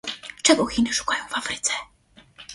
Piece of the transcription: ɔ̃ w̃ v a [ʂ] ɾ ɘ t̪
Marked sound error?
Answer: yes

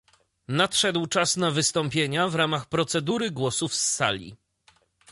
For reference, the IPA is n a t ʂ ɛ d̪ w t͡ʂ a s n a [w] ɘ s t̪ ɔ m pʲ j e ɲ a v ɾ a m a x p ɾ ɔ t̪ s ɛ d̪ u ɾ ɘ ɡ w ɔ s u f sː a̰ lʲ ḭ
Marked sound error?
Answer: yes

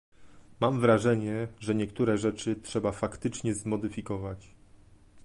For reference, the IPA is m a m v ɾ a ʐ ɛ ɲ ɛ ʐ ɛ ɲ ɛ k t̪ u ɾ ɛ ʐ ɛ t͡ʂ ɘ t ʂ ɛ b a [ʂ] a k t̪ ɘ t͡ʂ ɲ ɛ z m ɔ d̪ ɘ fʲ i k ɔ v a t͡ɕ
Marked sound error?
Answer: yes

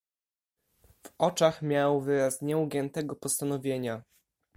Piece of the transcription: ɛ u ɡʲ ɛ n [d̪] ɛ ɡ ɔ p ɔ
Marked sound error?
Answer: yes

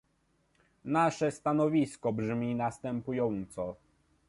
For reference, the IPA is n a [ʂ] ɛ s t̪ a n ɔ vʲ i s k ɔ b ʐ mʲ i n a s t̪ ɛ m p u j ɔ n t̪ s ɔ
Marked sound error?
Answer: no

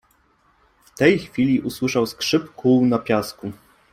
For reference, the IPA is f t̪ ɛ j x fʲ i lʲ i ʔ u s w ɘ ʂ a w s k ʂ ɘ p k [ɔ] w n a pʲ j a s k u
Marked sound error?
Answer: yes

